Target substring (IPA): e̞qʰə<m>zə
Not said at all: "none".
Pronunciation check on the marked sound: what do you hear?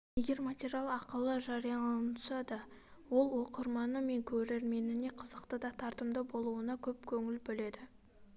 none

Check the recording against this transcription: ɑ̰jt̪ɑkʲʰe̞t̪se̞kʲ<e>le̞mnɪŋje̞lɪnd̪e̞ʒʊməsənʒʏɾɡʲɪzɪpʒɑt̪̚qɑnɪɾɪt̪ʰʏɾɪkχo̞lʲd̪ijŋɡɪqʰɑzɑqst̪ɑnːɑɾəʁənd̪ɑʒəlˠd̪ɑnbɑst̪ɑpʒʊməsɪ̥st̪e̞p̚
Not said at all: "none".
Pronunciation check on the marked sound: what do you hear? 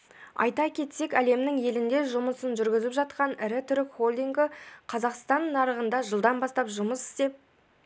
æ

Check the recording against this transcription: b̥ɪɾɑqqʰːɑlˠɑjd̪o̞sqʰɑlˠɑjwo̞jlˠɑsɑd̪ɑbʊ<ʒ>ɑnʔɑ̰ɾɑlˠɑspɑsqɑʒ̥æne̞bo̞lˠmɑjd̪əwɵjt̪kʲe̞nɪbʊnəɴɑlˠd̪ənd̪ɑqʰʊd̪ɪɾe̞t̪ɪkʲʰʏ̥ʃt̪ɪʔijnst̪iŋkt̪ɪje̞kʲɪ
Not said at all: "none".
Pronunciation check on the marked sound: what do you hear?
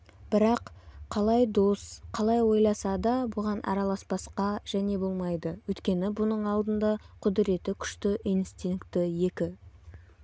ʁ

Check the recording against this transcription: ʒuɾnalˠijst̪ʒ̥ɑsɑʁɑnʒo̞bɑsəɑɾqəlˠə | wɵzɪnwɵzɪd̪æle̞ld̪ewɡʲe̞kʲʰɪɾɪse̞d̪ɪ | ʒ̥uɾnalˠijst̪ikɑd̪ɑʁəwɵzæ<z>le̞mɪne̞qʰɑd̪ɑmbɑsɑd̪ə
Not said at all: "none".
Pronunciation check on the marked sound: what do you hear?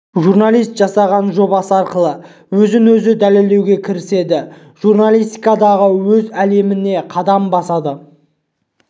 none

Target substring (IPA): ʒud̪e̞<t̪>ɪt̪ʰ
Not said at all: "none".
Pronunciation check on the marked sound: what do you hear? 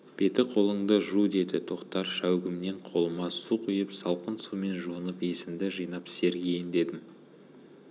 d̪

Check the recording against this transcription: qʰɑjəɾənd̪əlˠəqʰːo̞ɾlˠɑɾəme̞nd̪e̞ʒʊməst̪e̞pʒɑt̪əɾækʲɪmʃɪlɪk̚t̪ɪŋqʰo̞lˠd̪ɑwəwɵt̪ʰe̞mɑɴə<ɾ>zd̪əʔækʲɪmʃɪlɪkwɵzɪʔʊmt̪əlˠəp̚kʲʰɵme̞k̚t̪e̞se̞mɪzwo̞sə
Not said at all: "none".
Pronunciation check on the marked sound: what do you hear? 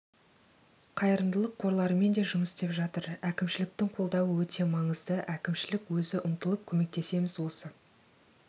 none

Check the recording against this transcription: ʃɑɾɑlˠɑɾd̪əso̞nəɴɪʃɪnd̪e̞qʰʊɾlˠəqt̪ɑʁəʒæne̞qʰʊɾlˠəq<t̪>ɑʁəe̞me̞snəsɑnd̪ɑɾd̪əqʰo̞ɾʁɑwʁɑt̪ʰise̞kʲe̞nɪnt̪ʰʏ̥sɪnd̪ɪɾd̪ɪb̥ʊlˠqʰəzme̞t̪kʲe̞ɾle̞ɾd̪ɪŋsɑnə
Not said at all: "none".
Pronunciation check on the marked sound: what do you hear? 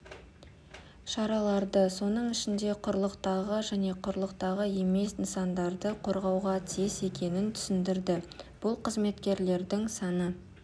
t̪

